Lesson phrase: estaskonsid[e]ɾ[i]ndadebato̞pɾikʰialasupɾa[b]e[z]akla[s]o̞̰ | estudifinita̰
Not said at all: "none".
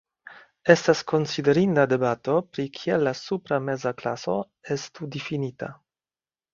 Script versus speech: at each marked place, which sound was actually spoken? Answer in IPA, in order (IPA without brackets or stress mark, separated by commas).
e, i, m, z, s